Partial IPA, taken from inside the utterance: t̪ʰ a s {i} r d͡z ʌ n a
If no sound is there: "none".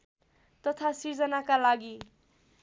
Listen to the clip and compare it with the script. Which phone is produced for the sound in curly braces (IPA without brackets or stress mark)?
i